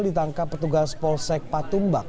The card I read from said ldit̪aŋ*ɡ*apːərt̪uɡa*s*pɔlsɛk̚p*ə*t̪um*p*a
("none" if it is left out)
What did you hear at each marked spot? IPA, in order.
k, s, a, b

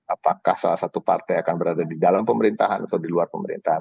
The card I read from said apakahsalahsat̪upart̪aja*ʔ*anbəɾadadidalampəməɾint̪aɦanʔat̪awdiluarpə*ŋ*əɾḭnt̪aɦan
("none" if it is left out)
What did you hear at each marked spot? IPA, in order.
k, m

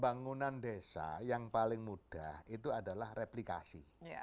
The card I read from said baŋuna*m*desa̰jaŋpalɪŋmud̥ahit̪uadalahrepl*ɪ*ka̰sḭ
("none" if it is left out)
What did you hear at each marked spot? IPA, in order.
n, i

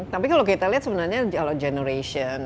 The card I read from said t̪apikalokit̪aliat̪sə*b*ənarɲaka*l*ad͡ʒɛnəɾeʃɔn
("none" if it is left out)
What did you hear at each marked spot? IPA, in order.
b, l

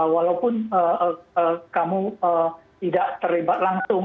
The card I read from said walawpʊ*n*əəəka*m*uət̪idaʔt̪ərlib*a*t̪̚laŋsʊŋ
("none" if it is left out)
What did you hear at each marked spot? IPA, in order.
n, m, a

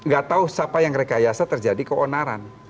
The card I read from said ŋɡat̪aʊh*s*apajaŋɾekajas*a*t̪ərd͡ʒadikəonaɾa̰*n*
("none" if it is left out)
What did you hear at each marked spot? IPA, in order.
s, a, n

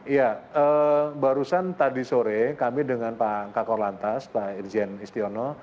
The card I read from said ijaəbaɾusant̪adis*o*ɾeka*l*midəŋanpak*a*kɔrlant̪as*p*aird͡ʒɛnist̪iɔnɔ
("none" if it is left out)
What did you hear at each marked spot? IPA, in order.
o, none, a, p

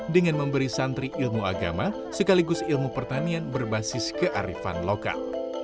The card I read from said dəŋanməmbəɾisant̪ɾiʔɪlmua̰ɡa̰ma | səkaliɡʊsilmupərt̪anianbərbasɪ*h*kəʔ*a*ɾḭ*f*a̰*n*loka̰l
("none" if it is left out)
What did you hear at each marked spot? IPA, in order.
s, a, f, n

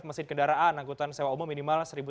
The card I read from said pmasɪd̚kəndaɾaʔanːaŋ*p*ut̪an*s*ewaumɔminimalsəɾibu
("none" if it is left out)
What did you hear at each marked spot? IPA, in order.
k, s

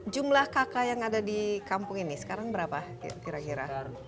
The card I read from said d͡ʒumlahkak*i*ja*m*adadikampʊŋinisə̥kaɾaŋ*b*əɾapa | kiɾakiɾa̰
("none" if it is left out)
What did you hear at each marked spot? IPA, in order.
a, ŋ, b

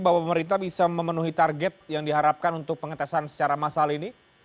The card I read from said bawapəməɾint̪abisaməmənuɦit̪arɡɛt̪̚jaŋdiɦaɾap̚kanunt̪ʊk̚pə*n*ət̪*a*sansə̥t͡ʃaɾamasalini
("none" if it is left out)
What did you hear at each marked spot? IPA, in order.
ŋ, a

